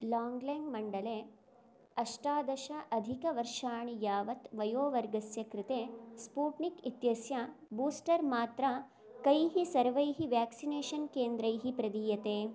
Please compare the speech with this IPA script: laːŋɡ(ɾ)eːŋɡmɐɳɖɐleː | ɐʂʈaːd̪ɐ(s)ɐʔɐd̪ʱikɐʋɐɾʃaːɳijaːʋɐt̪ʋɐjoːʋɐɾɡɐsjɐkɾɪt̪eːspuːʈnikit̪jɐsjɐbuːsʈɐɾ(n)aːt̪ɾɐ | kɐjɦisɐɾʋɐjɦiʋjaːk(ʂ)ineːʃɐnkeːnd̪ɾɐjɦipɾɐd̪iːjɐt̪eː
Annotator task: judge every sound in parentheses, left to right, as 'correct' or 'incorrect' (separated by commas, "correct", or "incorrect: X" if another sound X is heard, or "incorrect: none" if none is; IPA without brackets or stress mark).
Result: incorrect: l, incorrect: ʃ, incorrect: m, incorrect: s